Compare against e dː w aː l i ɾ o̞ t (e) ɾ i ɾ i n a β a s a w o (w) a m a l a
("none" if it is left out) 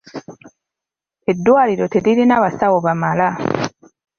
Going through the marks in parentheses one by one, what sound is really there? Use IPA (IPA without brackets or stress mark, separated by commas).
e, β